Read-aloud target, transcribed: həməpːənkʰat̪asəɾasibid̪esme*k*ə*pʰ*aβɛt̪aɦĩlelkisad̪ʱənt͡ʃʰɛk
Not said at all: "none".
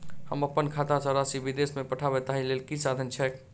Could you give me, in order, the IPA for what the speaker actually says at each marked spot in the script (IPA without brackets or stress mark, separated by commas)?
p, ʈʰ